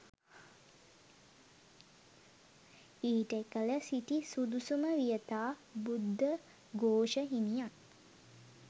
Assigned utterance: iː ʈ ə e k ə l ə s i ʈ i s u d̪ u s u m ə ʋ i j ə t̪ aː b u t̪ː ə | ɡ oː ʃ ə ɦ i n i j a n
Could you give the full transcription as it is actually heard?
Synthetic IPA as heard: iː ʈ ə e k ə l ə s i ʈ i s u d̪ u s u m ə ʋ i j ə t̪ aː b u d̪ː ə | ɡ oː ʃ ə ɦ i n i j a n